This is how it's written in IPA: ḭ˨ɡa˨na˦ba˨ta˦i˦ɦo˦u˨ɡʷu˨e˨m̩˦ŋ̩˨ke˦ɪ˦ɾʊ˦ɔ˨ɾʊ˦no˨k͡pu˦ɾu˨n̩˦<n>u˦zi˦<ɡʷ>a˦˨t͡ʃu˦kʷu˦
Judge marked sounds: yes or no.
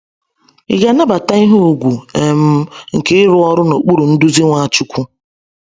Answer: no, no

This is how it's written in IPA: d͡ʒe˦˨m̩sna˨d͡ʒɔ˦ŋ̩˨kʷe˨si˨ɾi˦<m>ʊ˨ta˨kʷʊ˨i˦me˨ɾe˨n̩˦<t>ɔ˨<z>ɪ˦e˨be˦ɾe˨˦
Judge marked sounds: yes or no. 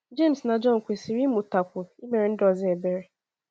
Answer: yes, no, yes

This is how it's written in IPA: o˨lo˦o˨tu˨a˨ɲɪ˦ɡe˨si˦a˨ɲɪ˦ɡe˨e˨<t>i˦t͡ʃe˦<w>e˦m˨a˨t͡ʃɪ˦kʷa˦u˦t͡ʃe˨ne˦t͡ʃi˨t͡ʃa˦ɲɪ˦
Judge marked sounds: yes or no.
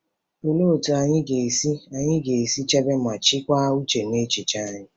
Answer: no, no

